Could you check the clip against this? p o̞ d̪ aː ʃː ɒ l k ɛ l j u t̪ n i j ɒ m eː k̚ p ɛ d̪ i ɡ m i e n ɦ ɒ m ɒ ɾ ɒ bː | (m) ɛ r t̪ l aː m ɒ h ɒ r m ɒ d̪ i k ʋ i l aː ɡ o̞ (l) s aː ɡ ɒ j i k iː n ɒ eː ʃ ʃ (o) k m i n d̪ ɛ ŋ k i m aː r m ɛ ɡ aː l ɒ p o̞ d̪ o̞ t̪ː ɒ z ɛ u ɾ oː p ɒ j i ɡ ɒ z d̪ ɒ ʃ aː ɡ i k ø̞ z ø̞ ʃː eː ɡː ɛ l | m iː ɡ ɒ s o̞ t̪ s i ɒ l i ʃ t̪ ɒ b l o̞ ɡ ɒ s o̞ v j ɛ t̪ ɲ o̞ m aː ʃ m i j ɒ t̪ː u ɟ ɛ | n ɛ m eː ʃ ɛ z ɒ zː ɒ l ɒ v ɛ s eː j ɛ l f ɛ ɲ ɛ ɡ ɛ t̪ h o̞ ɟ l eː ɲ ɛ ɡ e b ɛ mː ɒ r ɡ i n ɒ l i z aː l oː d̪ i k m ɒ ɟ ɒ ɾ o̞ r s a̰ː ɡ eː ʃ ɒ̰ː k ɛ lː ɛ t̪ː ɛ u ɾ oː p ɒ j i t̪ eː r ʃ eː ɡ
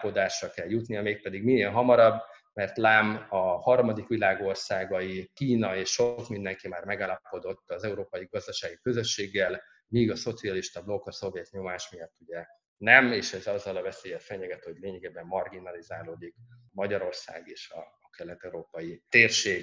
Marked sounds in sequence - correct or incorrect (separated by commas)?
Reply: correct, incorrect, correct